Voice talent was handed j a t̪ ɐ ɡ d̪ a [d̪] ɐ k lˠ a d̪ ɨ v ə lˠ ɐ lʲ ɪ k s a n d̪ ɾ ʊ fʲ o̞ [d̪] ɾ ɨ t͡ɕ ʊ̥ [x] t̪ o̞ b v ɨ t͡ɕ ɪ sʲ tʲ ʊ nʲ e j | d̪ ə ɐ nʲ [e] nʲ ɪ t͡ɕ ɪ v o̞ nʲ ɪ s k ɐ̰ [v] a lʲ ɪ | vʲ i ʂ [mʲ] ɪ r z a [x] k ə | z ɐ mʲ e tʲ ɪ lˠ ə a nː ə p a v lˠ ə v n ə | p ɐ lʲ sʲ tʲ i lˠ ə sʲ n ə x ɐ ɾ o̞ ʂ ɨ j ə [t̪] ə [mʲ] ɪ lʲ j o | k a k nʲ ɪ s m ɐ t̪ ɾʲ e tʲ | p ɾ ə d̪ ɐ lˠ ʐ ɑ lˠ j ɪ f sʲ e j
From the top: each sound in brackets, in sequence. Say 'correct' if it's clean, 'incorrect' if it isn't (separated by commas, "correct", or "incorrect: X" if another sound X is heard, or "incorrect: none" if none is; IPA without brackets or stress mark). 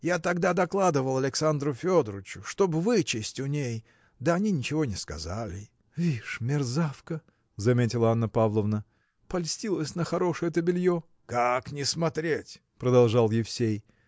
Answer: correct, correct, incorrect: ʂ, incorrect: i, incorrect: z, correct, incorrect: f, correct, incorrect: bʲ